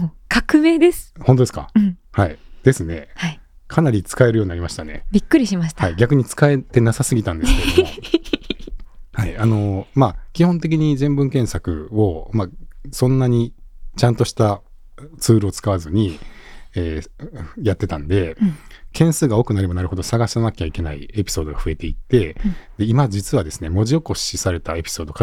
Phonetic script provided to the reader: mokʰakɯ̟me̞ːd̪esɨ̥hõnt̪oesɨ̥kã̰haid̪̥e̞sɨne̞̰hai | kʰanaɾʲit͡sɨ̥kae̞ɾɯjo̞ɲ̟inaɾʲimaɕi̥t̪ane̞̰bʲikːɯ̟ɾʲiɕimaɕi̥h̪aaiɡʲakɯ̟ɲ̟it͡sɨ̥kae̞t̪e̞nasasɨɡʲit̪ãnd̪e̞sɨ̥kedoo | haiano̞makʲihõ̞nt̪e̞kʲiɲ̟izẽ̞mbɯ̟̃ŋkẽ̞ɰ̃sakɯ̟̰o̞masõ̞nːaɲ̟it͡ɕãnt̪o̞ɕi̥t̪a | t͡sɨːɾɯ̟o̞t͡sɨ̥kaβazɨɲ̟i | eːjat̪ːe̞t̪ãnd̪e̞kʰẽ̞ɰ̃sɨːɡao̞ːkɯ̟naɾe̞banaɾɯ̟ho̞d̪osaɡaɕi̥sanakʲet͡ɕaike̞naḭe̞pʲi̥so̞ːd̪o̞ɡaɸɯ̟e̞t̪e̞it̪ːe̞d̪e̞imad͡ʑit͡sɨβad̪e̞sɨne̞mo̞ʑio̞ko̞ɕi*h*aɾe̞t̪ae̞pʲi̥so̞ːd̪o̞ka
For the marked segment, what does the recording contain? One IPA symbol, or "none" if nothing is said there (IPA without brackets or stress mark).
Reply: s